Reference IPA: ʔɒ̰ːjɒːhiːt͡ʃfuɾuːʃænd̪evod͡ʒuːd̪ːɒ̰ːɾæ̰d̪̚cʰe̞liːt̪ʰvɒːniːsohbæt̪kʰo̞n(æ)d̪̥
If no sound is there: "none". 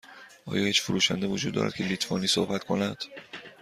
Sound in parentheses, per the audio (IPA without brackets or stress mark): æ